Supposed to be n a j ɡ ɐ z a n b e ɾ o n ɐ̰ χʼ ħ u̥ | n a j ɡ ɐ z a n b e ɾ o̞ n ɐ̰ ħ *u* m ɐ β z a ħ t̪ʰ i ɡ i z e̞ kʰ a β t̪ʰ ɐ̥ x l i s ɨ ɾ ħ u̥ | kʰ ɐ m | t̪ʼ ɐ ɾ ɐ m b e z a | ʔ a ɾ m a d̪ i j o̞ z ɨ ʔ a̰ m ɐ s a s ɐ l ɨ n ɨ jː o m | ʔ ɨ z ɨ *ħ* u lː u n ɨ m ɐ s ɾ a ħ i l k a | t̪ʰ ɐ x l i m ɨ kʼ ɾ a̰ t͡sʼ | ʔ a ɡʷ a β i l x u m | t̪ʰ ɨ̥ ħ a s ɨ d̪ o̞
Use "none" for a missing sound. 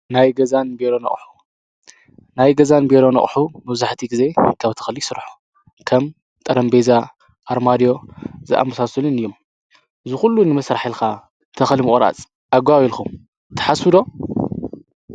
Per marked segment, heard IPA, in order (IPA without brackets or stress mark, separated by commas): u, x